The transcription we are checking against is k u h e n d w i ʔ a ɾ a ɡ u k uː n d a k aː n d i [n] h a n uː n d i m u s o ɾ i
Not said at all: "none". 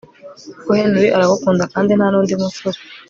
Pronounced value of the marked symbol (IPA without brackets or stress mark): n